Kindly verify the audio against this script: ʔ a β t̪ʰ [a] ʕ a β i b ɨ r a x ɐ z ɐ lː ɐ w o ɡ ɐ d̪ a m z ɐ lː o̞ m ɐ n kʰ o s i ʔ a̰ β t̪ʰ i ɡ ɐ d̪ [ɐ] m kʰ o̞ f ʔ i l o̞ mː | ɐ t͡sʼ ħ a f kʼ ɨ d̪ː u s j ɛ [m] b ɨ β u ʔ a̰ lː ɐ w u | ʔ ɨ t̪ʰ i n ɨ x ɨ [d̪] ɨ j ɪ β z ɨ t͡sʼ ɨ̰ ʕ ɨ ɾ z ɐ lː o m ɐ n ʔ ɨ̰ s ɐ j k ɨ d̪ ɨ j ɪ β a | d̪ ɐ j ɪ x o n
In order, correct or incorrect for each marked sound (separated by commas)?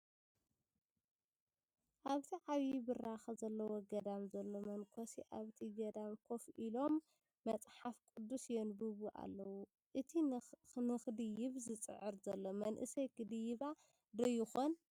incorrect, incorrect, incorrect, correct